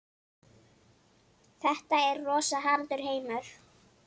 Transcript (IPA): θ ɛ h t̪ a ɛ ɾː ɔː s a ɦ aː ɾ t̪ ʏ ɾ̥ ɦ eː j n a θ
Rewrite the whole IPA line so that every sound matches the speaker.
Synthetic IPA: θ ɛ h t̪ a ɛ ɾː ɔː s a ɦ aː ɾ t̪ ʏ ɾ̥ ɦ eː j m a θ